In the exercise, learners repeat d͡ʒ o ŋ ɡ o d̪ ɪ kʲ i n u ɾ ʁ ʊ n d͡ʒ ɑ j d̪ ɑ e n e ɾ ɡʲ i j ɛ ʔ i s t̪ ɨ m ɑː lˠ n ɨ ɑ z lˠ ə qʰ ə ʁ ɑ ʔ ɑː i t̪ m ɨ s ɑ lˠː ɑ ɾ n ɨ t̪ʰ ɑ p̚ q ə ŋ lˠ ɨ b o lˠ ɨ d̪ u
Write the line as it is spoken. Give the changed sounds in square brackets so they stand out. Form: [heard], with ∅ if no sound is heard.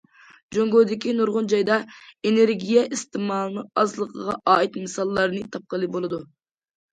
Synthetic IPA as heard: d͡ʒ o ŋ ɡ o d̪ ɪ kʲ i n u ɾ ʁ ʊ n d͡ʒ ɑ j d̪ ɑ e n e ɾ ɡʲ i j ɛ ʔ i s t̪ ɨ m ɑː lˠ n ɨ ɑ z lˠ ə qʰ ə ʁ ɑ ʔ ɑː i t̪ m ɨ s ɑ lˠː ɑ ɾ n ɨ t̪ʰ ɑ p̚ q ə [∅] lˠ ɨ b o lˠ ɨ d̪ u